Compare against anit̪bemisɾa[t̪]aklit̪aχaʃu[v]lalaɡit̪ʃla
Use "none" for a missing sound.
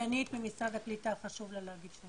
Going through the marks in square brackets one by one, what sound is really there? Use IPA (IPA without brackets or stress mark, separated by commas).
d̪, v